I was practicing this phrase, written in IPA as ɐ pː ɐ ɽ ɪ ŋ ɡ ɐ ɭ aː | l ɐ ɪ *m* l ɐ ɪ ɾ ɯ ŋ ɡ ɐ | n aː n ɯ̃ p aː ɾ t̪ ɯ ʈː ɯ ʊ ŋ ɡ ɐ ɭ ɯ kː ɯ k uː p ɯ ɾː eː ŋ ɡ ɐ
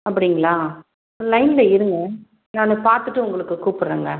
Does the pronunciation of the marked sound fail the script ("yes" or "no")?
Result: yes